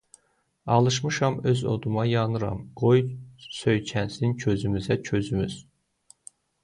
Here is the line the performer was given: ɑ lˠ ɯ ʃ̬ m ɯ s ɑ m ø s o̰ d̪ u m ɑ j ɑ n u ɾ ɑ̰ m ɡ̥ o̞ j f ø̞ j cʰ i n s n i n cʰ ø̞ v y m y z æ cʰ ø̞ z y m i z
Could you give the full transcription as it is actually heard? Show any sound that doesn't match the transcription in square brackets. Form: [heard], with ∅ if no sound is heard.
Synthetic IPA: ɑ lˠ ɯ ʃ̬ m ɯ [ʃ] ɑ m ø [z] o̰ d̪ u m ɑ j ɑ n [ɯ] ɾ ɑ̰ m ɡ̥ o̞ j [s] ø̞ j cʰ [æ] n s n i n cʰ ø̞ [z] y m y z æ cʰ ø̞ z y m [y] z